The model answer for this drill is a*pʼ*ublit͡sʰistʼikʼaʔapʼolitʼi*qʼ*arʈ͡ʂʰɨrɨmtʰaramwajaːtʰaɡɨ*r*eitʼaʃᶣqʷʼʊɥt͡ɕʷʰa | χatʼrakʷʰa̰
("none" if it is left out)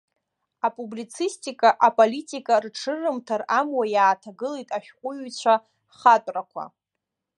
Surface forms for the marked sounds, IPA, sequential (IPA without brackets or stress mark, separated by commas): pʼ, kʼ, l